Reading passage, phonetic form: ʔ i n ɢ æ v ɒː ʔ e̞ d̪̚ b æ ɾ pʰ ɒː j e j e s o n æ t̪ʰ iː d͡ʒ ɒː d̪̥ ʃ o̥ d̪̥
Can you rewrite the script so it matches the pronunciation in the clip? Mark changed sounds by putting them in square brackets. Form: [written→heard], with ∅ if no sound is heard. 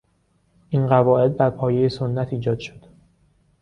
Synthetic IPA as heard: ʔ i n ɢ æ v ɒː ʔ e̞ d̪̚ b æ ɾ pʰ ɒː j e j e s o [n→nː] æ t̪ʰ iː d͡ʒ ɒː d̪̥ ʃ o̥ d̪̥